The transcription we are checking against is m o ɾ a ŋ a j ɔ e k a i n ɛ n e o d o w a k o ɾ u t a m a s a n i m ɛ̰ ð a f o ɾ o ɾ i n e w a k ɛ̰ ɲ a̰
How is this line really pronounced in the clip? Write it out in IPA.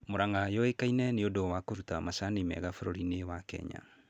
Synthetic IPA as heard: m o ɾ a ŋ a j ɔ e k a i n ɛ n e o d o w a k o ɾ u t a m a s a n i m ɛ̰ ɣ a f o ɾ o ɾ i n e w a k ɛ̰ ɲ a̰